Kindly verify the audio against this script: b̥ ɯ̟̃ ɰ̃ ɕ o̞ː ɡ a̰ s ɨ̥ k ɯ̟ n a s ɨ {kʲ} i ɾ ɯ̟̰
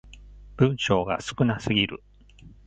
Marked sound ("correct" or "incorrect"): incorrect